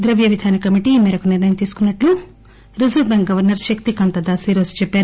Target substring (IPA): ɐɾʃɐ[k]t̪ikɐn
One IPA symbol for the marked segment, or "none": k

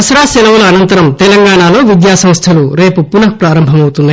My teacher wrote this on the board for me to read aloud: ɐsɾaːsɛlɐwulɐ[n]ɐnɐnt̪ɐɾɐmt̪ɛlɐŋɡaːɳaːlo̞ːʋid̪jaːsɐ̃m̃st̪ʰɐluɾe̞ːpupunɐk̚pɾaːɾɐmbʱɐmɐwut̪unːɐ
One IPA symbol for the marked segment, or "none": none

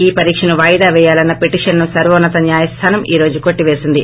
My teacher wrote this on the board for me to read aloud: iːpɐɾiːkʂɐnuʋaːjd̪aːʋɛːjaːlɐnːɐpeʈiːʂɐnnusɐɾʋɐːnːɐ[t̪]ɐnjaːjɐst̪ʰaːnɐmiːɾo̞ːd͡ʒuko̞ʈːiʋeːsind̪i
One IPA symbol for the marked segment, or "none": t̪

